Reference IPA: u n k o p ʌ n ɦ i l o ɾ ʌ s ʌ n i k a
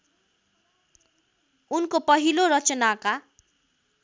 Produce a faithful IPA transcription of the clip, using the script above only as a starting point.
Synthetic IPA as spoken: u n k o p ʌ ɦ i l o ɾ ʌ t͡s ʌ n a k a